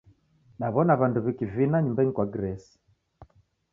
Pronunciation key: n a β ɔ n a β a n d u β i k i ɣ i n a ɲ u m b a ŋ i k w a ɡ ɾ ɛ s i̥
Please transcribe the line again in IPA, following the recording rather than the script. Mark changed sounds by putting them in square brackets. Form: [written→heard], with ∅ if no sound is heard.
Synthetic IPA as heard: n a β ɔ n a β a n d u β i k i [ɣ→v] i n a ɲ u m b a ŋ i k w a ɡ ɾ ɛ s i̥

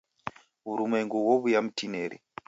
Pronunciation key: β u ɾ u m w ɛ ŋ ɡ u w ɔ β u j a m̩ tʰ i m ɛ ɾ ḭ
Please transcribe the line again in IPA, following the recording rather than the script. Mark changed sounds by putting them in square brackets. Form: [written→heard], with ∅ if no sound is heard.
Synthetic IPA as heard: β u ɾ u m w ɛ ŋ ɡ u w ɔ β u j a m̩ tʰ i [m→n] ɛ ɾ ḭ

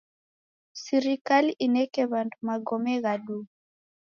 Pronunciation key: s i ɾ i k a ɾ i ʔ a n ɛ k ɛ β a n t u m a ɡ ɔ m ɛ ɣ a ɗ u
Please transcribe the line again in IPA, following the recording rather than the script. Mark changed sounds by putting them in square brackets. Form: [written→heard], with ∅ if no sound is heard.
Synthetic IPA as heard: s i ɾ i k a [ɾ→l] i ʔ [a→i] n ɛ k ɛ β a n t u m a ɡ ɔ m ɛ ɣ a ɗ u

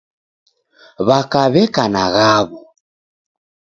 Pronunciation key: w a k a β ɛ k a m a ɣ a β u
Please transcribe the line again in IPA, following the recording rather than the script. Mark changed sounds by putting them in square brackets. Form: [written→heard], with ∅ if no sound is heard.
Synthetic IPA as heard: [w→β] a k a β ɛ k a [m→n] a ɣ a β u

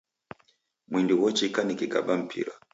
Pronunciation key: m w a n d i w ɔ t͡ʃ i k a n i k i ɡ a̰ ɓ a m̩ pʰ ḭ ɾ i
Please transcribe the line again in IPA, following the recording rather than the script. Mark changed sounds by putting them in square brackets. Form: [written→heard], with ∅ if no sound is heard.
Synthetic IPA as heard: m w [a→i] n d i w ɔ t͡ʃ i k a n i k i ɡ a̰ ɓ a m̩ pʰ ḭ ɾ [i→a]

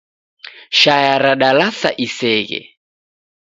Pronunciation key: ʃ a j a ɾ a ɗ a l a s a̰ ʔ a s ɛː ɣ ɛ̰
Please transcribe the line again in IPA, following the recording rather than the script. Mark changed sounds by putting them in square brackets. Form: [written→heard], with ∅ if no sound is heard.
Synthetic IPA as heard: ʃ a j a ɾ a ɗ a l a s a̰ ʔ [a→i] s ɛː ɣ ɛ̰

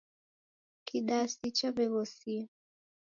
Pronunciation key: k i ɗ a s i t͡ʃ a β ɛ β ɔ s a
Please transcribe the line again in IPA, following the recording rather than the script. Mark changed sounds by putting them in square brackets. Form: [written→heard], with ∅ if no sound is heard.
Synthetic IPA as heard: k i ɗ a s i t͡ʃ a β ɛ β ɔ s [a→i]

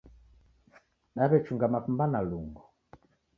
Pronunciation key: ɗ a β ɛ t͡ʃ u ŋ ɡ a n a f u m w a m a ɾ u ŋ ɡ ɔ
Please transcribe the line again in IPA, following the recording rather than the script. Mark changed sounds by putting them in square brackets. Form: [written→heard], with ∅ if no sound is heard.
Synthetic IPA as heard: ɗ a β ɛ t͡ʃ u ŋ ɡ a [n→m] a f u m [w→b] a [m→n] a [ɾ→l] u ŋ ɡ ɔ

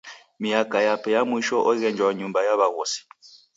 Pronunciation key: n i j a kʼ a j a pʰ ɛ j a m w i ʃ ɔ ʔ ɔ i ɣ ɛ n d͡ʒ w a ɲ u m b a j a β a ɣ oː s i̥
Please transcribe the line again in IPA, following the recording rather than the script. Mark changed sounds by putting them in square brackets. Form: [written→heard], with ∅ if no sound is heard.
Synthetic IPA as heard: [n→m] i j a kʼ a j a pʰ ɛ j a m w i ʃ ɔ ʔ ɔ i ɣ ɛ n d͡ʒ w a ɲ u m b a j a β a ɣ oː s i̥

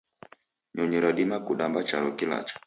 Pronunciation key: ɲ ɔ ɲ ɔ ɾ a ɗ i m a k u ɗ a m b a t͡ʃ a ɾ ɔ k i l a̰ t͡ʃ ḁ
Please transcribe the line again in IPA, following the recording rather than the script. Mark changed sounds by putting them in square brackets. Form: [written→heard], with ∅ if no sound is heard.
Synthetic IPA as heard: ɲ ɔ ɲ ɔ ɾ a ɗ i m a k u ɗ a m b a t͡ʃ a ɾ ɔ k i l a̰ t͡ʃ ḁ

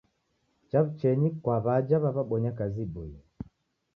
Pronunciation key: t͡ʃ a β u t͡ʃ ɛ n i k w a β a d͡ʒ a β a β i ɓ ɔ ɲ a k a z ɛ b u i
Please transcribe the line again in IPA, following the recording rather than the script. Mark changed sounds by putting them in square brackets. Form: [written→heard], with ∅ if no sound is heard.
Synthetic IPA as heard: t͡ʃ a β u t͡ʃ ɛ [n→ɲ] i k w a β a d͡ʒ a β a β [i→a] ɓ ɔ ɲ a k a z [ɛ→i] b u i

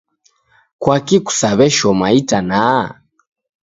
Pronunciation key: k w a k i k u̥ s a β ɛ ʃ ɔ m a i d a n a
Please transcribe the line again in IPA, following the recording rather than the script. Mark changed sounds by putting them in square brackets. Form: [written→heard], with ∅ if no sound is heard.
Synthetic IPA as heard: k w a k i k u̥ s a β ɛ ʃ ɔ m a i [d→t] a n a

